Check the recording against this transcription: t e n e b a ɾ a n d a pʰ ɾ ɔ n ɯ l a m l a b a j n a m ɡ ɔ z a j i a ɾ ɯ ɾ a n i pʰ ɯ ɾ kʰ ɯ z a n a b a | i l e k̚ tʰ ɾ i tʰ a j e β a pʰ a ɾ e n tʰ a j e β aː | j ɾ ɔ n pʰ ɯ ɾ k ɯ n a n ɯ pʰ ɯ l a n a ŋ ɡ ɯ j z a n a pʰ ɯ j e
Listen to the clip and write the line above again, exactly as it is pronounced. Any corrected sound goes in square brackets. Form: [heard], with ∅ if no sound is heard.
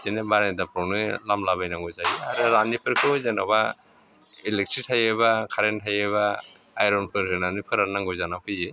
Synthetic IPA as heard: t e n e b a ɾ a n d a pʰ ɾ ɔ n ɯ l a m l a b a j n a [ŋ] ɡ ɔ z a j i a ɾ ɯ ɾ a n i pʰ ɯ ɾ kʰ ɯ z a n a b a | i l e k̚ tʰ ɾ i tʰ a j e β a [kʰ] a ɾ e n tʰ a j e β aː | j ɾ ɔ n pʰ ɯ ɾ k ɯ n a n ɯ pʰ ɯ [ɾ] a n a ŋ ɡ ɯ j z a n a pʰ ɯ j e

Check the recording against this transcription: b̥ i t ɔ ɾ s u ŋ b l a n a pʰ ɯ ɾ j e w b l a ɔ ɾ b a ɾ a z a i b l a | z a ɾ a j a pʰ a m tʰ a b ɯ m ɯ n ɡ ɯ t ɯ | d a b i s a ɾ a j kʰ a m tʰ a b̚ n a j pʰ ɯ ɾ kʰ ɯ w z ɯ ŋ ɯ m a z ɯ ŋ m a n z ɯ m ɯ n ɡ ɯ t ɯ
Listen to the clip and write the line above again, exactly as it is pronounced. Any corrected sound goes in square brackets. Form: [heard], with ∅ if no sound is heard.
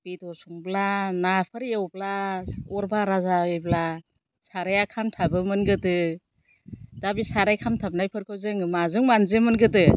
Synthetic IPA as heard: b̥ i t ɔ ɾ s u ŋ b l a n a pʰ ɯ ɾ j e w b l a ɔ ɾ b a ɾ a z a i b l a | [s] a ɾ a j a [kʰ] a m tʰ a b ɯ m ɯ n ɡ ɯ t ɯ | d a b i s a ɾ a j kʰ a m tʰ a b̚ n a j pʰ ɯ ɾ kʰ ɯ w z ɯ ŋ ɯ m a z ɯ ŋ m a n z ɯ m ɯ n ɡ ɯ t ɯ

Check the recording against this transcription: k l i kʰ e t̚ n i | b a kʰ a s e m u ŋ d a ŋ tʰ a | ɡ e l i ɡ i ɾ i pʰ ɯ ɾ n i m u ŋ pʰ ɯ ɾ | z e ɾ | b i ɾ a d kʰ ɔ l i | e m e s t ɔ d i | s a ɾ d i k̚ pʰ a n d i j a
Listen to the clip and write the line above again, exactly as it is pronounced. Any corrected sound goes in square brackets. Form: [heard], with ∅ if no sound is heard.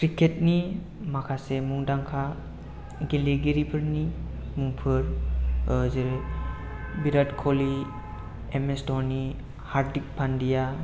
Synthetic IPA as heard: k [ɾ] i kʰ e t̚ n i | [m] a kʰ a s e m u ŋ d a ŋ [kʰ] a | ɡ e l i ɡ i ɾ i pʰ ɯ ɾ n i m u ŋ pʰ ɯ ɾ | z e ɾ | b i ɾ a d kʰ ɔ l i | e m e s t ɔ [n] i | [h] a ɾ d i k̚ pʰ a n d i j a

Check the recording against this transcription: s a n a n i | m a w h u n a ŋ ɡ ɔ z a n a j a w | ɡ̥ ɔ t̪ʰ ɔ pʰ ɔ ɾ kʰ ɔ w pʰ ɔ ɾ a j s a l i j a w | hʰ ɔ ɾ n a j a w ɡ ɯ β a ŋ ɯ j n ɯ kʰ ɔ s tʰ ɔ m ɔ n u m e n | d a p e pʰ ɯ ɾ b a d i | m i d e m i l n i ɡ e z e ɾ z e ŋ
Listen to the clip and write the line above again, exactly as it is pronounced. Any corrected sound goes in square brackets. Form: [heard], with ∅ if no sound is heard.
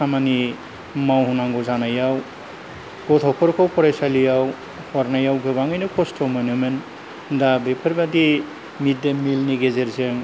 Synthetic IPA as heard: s a [m] a n i | m a w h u n a ŋ ɡ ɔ z a n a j a w | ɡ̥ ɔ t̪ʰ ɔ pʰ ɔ ɾ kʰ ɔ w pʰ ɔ ɾ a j s a l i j a w | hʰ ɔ ɾ n a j a w ɡ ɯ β a ŋ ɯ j n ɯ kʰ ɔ s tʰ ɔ m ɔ n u m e n | d a [b] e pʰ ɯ ɾ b a d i | m i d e m i l n i ɡ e z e ɾ z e ŋ

